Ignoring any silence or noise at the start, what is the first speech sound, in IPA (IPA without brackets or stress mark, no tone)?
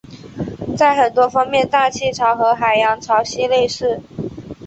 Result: t͡s